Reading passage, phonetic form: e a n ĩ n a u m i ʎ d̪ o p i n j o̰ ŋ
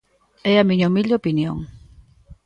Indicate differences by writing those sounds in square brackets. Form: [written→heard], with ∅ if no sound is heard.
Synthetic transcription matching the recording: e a [n→m] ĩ [n→ɲ] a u m i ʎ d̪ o p i n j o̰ ŋ